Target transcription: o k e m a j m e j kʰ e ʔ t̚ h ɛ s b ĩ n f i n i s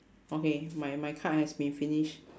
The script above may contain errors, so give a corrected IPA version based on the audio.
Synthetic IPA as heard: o k e m a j m a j kʰ a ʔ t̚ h ɛ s b ĩ n f i n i ʃ